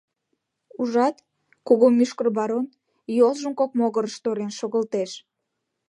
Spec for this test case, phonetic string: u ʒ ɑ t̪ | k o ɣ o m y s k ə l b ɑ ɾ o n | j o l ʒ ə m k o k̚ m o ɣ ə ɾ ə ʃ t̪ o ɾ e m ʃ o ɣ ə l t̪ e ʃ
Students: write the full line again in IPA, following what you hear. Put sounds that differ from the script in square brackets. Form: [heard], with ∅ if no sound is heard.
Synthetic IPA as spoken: u ʒ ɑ t̪ | k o ɣ o m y [ʃ] k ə [r] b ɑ ɾ o n | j o l ʒ ə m k o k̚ m o ɣ ə ɾ ə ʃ t̪ o ɾ e [n] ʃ o ɣ ə l t̪ e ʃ